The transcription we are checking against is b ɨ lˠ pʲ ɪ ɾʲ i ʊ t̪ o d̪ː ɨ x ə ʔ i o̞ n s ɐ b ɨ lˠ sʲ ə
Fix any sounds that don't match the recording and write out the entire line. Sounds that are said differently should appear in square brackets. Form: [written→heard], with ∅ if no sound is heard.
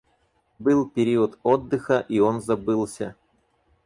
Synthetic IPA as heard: b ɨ lˠ pʲ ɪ ɾʲ i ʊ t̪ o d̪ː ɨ x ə ʔ i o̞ n [s→z] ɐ b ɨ lˠ sʲ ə

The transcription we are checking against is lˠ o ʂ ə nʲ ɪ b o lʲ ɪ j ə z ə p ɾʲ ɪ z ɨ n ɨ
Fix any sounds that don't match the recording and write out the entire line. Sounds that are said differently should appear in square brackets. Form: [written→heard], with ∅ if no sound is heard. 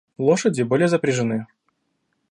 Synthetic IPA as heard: lˠ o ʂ ə [nʲ→dʲ] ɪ b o lʲ ɪ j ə z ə p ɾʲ ɪ [z→ʐ] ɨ n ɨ

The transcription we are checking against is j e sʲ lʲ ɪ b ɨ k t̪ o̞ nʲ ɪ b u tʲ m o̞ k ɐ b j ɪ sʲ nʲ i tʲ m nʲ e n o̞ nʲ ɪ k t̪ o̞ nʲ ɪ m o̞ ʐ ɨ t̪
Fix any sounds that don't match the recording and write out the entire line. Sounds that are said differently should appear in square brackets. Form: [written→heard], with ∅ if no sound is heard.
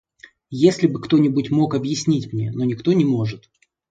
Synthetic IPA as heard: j e sʲ lʲ ɪ b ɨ k t̪ o̞ nʲ ɪ b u tʲ m o̞ k ɐ b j ɪ sʲ nʲ i tʲ m nʲ e n o̞ nʲ ɪ k t̪ o̞ nʲ ɪ m o̞ ʐ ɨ t̪

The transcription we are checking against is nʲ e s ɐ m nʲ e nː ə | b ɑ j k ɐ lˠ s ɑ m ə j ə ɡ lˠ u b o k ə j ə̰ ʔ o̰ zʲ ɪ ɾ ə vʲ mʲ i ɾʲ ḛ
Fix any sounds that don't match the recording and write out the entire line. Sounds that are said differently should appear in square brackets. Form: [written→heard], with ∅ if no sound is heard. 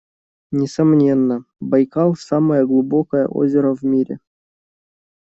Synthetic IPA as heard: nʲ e s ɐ m nʲ e nː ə | b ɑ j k [ɐ→ɑ] lˠ s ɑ m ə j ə ɡ lˠ u b o k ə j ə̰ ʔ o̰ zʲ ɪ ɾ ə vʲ mʲ i ɾʲ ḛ

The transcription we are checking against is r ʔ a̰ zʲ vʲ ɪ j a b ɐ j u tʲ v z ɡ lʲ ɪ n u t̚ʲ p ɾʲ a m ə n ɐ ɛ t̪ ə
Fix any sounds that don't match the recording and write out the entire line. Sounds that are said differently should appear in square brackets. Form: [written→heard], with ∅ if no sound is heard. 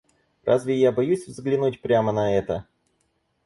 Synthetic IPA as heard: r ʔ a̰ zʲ vʲ ɪ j a b ɐ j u [tʲ→sʲ] v z ɡ lʲ ɪ n u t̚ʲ p ɾʲ a m ə n ɐ ɛ t̪ ə

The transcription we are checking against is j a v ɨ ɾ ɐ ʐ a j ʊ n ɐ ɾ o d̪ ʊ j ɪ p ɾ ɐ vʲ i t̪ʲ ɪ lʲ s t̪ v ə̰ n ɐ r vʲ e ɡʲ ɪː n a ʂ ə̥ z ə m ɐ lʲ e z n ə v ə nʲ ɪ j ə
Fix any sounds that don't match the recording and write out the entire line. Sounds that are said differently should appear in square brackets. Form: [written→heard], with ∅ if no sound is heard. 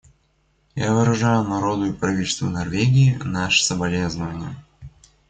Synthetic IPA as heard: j a v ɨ ɾ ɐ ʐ a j ʊ n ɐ ɾ o d̪ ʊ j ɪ p ɾ ɐ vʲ i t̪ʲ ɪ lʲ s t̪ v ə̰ n ɐ r vʲ e ɡʲ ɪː n a ʂ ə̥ [z→s] ə [m→b] ɐ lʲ e z n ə v ə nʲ ɪ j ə

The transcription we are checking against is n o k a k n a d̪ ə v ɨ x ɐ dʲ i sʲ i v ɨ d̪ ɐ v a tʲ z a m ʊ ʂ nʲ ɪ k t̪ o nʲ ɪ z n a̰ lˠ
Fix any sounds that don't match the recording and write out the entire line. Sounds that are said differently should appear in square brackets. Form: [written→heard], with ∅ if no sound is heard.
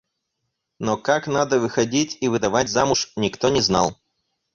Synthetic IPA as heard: n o k a k n a d̪ ə v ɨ x ɐ dʲ i [sʲ→tʲ] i v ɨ d̪ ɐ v a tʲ z a m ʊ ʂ nʲ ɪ k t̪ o nʲ ɪ z n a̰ lˠ

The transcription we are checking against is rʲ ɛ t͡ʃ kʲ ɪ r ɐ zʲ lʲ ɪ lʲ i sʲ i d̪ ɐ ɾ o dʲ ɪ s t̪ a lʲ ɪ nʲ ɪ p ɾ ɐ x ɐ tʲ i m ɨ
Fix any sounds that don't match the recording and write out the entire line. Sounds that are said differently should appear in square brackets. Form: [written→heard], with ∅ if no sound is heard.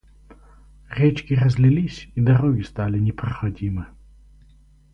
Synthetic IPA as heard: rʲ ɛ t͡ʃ kʲ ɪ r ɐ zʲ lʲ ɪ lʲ i sʲ i d̪ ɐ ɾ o [dʲ→ɡʲ] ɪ s t̪ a lʲ ɪ nʲ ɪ p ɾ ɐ x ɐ [tʲ→dʲ] i m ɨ

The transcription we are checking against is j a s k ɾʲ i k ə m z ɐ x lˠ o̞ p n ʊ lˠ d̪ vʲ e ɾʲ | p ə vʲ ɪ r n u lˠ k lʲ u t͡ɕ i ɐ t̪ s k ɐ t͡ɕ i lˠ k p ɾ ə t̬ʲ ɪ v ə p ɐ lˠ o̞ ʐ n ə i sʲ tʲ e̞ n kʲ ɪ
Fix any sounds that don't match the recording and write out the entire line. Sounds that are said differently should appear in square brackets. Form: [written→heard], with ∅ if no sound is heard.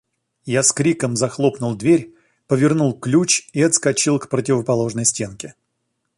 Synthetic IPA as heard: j a s k ɾʲ i k ə m z ɐ x lˠ o̞ p n ʊ lˠ d̪ vʲ e ɾʲ | p ə vʲ ɪ r n u lˠ k lʲ u t͡ɕ i ɐ t̪ s k ɐ t͡ɕ i lˠ k p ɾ ə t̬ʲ ɪ v ə p ɐ lˠ o̞ ʐ n ə [i→j] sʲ tʲ e̞ n kʲ ɪ

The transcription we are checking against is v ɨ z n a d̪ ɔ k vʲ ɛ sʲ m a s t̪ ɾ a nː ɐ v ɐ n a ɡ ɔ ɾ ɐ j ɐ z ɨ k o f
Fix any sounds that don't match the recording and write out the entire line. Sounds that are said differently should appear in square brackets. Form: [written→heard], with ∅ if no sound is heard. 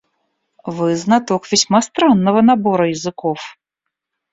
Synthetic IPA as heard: v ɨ z n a [d̪→t̪] ɔ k vʲ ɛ sʲ m a s t̪ ɾ a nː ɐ v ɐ n a [ɡ→b] ɔ ɾ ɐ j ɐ z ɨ k [o→ɔ] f

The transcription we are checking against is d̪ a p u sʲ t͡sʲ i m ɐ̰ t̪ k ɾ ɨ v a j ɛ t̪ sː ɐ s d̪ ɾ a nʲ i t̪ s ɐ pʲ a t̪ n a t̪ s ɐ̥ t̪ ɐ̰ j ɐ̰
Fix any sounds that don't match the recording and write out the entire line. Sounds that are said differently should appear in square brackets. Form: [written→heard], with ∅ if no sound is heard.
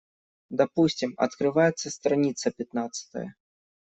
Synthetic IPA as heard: d̪ a p u sʲ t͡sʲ i m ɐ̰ t̪ k ɾ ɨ v a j ɛ t̪ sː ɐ s [d̪→t̪] ɾ a nʲ i t̪ s ɐ pʲ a t̪ n a t̪ s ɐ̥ t̪ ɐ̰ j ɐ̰

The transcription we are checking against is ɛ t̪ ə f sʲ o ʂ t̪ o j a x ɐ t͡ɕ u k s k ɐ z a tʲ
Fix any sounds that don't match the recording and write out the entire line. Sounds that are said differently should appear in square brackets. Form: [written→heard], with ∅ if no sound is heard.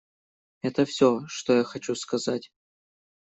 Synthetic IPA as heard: ɛ t̪ ə f sʲ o ʂ t̪ o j a x ɐ t͡ɕ u [k→∅] s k ɐ z a tʲ

